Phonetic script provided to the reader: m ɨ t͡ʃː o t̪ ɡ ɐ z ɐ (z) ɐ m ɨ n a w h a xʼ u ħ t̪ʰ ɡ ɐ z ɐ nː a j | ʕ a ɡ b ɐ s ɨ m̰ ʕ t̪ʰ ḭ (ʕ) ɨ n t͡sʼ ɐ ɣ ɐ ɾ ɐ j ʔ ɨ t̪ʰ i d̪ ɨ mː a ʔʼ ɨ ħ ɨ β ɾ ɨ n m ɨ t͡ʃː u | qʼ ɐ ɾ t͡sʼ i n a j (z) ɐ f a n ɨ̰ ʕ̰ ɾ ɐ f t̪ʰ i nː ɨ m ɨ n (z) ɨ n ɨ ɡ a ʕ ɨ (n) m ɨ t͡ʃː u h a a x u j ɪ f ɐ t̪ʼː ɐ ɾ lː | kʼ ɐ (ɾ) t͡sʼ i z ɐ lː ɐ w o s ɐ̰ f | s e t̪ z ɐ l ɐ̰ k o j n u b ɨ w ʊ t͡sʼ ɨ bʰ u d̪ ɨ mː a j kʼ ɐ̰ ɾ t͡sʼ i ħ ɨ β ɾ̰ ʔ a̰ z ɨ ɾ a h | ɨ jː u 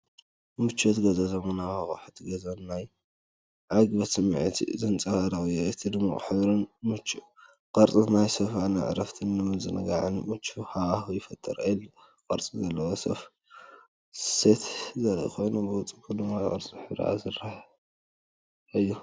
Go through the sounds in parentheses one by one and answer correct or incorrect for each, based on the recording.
correct, incorrect, incorrect, correct, correct, correct

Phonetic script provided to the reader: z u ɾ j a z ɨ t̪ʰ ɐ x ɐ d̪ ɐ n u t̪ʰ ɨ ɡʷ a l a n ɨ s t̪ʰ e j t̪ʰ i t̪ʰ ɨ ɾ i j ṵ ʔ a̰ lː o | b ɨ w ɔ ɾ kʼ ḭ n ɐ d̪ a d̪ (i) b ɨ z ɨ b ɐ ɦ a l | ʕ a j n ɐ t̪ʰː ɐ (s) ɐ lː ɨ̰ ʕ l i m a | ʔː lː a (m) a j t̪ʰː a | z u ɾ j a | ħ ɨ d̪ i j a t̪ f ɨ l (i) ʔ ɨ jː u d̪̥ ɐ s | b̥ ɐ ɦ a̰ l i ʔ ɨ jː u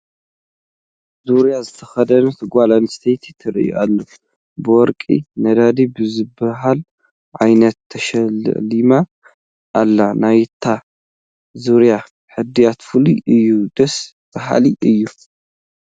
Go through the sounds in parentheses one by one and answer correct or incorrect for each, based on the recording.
correct, incorrect, incorrect, correct

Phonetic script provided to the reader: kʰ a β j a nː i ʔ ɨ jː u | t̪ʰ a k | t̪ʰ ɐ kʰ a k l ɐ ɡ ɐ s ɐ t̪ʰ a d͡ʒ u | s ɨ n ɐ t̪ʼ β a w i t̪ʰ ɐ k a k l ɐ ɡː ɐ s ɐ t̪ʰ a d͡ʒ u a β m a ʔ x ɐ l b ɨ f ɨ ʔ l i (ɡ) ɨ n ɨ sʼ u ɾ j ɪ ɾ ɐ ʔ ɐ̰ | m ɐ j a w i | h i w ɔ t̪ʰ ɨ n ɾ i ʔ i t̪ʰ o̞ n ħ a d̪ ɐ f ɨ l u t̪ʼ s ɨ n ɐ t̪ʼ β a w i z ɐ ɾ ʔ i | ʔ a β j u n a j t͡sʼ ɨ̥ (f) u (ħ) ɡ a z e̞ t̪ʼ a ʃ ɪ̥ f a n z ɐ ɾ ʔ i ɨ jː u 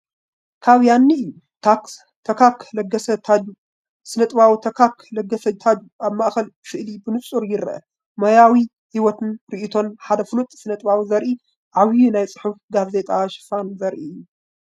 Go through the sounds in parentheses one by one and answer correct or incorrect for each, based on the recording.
incorrect, incorrect, incorrect

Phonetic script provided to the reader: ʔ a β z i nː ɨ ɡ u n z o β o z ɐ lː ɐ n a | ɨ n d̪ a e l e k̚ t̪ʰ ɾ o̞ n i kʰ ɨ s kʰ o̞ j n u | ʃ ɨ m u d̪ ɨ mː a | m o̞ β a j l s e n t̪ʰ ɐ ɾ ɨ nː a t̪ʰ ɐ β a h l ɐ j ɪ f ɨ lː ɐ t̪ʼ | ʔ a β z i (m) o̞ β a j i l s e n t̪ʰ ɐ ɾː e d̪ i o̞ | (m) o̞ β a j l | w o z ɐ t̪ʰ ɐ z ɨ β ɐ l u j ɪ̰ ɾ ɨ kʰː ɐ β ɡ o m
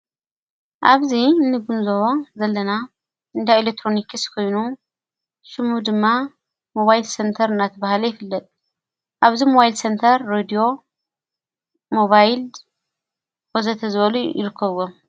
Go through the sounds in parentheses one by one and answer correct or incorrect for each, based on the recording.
correct, correct

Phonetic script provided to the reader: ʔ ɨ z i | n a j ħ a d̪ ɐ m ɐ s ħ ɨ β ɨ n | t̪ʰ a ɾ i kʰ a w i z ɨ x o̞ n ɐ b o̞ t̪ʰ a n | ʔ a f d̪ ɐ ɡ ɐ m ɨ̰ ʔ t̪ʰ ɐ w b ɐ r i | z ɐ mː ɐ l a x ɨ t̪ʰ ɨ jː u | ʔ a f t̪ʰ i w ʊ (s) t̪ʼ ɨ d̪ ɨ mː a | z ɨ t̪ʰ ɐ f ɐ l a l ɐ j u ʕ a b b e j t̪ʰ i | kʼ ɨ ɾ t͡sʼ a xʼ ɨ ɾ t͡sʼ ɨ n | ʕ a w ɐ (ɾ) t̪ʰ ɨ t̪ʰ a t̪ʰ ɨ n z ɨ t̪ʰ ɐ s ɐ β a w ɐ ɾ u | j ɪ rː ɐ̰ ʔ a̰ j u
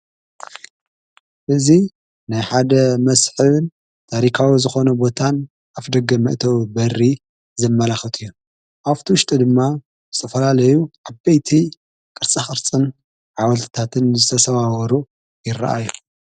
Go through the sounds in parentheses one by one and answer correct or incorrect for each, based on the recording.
incorrect, incorrect

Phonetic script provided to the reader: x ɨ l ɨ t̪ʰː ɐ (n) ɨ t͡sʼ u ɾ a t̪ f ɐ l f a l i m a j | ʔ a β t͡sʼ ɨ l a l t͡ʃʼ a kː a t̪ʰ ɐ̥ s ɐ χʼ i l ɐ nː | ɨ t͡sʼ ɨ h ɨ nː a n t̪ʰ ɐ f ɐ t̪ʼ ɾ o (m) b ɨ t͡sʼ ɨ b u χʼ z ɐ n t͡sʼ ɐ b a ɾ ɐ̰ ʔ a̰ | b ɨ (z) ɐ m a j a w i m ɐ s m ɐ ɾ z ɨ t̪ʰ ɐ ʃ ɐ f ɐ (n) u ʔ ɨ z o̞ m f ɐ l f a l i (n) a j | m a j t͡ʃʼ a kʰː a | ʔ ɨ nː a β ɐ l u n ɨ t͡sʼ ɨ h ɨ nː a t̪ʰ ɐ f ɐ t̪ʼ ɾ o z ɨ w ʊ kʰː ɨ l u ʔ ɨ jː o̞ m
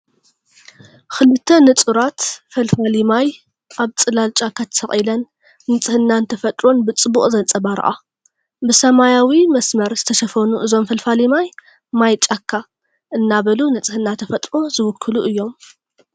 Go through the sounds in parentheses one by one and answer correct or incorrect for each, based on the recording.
correct, incorrect, incorrect, correct, incorrect

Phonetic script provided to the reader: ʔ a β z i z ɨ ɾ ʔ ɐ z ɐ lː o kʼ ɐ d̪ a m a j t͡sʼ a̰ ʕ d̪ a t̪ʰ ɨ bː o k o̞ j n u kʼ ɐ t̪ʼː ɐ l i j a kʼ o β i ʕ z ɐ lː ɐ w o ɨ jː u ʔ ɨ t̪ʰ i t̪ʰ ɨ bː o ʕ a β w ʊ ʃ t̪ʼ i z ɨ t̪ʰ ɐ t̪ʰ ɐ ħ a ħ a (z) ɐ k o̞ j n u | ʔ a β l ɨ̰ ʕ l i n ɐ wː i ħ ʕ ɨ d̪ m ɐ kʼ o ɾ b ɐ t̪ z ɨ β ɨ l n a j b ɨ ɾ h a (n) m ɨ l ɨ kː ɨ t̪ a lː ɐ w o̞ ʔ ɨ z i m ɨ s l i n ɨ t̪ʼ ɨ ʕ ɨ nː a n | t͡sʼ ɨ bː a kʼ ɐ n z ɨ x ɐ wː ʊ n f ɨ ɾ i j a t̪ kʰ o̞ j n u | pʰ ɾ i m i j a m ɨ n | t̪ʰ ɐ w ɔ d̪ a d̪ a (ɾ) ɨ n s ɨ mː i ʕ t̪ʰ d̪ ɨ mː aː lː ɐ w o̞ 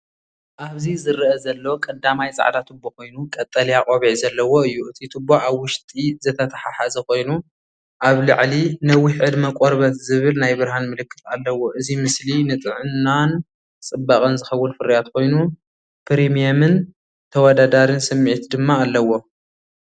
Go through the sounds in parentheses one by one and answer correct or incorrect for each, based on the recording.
correct, correct, correct

